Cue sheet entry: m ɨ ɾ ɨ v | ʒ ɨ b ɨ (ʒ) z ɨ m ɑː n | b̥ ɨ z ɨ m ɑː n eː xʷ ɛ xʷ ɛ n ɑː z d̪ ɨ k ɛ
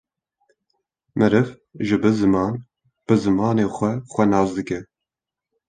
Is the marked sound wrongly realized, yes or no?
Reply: yes